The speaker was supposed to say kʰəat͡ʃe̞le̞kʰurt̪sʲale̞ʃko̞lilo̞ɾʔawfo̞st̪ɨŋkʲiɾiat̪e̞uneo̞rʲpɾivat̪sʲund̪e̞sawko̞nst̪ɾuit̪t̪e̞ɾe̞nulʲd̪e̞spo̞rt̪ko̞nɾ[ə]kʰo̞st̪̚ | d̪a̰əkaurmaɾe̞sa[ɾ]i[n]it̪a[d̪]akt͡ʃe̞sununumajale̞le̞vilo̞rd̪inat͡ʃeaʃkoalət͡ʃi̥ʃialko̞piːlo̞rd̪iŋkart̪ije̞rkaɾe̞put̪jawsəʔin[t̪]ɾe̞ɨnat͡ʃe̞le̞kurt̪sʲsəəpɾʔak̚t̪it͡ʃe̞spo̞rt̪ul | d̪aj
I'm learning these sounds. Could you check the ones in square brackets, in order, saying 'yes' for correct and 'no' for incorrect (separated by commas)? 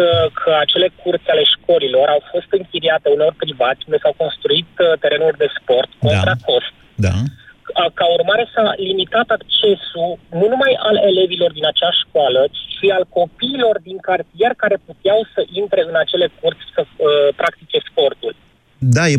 no, no, no, no, yes